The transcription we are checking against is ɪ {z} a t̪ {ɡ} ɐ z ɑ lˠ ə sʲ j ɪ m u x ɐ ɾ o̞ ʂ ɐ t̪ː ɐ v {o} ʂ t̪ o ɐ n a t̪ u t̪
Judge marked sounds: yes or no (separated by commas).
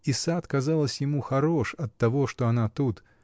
no, no, yes